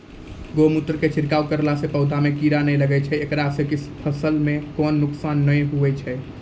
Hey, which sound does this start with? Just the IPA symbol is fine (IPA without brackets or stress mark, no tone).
ɡ